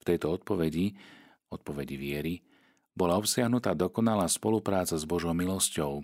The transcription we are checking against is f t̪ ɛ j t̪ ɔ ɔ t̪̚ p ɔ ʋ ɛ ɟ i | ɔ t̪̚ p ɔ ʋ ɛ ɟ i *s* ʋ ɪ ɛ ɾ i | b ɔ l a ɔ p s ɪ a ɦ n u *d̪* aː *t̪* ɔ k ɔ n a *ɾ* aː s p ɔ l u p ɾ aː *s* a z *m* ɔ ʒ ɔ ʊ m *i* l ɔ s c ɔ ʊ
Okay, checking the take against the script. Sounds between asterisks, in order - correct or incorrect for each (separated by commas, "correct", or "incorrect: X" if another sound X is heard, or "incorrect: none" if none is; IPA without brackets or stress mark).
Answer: incorrect: none, incorrect: t̪, incorrect: d̪, incorrect: l, incorrect: t͡s, incorrect: b, correct